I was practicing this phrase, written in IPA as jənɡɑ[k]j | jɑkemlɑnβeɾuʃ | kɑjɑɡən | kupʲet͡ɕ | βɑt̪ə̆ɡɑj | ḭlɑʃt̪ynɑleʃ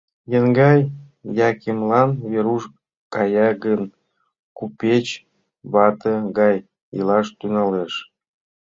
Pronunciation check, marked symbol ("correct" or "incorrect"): incorrect